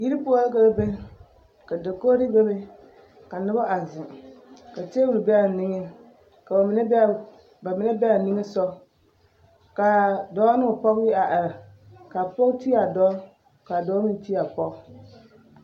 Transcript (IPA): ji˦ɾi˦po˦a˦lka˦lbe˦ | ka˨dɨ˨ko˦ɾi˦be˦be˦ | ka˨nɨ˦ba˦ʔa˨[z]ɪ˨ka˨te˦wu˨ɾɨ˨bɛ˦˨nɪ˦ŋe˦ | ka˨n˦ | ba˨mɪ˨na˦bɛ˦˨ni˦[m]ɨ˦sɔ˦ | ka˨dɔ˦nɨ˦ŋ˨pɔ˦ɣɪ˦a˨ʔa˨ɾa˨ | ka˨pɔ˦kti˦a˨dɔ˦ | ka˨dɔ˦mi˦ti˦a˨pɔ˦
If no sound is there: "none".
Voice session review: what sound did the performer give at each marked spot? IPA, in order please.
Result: z, ŋ

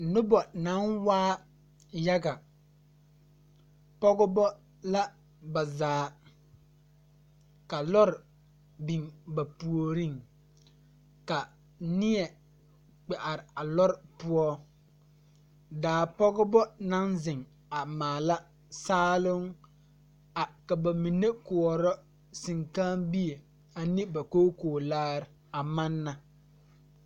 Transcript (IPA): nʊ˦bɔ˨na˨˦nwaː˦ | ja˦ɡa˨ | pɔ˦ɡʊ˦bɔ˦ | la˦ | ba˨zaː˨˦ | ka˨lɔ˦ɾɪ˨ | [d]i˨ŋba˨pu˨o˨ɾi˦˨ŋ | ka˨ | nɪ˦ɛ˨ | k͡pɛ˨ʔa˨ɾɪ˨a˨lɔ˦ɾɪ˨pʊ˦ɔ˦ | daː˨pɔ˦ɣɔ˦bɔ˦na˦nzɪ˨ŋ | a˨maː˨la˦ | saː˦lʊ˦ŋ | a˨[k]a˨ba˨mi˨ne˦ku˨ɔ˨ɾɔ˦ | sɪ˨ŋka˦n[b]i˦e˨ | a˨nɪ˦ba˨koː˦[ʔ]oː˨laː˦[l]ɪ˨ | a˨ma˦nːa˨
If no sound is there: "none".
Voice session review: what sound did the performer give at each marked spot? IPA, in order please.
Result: b, k, b, k, ɾ

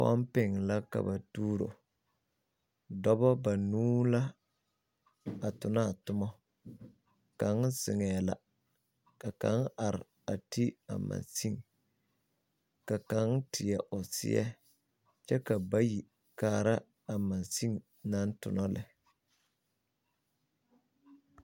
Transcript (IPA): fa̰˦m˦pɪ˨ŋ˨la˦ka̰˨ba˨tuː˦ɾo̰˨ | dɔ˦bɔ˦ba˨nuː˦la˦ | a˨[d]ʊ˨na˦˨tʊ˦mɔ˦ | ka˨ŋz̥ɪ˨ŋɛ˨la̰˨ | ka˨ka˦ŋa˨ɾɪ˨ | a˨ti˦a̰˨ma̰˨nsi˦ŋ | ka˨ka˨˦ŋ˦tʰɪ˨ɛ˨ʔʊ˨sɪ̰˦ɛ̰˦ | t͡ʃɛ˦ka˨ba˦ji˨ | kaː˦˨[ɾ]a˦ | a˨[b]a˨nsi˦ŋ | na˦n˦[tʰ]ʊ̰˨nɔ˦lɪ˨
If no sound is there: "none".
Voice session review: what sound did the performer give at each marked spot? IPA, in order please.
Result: t, ɾ, m, t

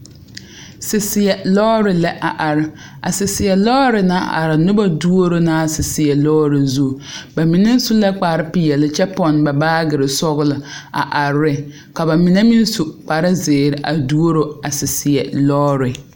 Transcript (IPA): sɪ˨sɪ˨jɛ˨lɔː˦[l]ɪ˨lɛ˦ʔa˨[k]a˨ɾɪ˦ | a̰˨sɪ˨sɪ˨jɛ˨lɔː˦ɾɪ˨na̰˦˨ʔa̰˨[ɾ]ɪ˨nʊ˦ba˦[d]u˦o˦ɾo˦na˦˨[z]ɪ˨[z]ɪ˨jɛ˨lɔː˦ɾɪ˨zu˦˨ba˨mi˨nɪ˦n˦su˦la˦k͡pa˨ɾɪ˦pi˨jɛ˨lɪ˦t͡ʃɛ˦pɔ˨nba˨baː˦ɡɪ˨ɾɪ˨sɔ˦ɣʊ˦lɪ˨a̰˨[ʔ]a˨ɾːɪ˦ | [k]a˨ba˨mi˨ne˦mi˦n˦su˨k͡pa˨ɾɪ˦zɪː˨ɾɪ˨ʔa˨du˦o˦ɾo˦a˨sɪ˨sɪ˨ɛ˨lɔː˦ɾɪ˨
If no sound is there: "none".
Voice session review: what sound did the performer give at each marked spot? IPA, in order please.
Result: ɾ, ʔ, ɾ, d, s, s, ʔ, k

